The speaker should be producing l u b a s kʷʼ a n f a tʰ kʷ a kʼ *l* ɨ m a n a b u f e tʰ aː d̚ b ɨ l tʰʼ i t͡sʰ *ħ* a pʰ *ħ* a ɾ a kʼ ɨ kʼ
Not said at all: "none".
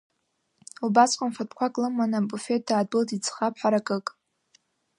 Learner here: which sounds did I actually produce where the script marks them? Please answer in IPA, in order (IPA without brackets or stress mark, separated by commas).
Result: l, χ, ħ